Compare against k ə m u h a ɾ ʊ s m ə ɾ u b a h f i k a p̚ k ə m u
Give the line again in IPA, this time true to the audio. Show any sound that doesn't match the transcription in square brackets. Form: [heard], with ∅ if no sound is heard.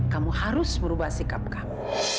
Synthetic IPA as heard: k [a] m u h a ɾ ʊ s m ə ɾ u b a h [s] i k a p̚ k [a] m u